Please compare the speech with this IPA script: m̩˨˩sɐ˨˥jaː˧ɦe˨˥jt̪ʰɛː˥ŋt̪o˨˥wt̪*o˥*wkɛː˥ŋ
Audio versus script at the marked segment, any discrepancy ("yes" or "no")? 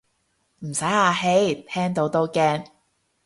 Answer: no